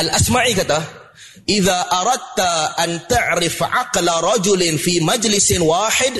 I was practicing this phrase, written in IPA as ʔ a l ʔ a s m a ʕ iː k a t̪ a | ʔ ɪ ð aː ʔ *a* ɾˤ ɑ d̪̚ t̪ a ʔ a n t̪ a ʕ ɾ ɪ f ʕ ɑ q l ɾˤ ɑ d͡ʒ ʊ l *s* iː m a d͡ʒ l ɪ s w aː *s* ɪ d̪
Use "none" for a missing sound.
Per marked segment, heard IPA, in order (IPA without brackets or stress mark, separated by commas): ɑ, f, ħ